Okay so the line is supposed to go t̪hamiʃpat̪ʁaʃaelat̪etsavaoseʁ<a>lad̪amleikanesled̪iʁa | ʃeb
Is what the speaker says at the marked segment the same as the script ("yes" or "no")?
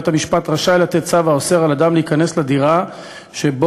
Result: yes